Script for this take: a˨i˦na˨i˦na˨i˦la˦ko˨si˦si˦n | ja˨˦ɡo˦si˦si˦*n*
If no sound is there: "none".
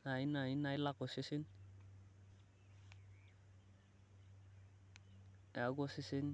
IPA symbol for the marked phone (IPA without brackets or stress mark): n